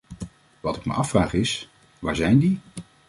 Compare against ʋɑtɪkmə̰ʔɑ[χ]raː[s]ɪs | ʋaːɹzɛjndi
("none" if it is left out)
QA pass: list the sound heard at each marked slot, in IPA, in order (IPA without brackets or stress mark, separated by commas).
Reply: f, χ